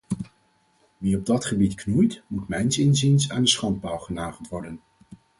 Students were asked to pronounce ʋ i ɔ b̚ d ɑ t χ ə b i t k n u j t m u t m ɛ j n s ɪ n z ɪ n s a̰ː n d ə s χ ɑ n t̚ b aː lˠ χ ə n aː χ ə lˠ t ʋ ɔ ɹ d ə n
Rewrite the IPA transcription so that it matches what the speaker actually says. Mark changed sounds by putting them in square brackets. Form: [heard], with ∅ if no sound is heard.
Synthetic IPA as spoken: ʋ i ɔ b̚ d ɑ t χ ə b i t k n u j t m u t m ɛ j n s ɪ n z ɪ n s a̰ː n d ə s χ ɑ n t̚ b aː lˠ χ ə n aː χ ə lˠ t ʋ ɔ ɹ d ə n